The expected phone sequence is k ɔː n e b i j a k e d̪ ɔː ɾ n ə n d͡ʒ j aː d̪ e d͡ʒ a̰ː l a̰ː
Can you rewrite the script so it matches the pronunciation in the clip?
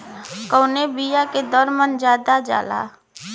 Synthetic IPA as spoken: k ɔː n e b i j a k e d̪ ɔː ɾ m ə n d͡ʒ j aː d̪ a d͡ʒ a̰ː l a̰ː